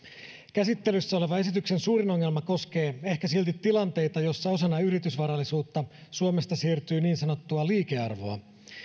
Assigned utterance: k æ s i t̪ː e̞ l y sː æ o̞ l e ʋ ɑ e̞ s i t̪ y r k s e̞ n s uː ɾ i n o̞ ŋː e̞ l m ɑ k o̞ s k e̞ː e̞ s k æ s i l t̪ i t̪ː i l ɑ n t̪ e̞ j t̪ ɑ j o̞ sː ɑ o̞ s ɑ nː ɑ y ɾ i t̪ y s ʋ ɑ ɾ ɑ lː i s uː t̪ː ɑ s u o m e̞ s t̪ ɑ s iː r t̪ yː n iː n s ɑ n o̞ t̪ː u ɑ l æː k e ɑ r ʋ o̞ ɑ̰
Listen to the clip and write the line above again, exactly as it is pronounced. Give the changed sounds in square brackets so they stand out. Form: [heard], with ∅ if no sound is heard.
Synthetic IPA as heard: k æ s i t̪ː e̞ l y sː æ o̞ l e ʋ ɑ e̞ s i t̪ y [∅] k s e̞ n s uː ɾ i n o̞ ŋː e̞ l m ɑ k o̞ s k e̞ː e̞ [h] k æ s i l t̪ i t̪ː i l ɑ n t̪ e̞ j t̪ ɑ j o̞ sː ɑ o̞ s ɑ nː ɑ y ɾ i t̪ y s ʋ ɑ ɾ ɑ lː i s uː t̪ː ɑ s u o m e̞ s t̪ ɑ s iː r t̪ yː n iː n s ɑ n o̞ t̪ː u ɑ l [iː] k e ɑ r ʋ o̞ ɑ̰